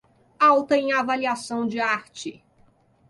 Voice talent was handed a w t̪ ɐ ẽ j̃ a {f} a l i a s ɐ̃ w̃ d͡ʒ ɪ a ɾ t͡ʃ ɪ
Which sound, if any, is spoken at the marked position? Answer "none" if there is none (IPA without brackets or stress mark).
v